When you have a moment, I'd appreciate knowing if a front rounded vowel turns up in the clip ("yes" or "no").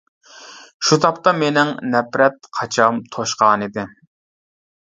no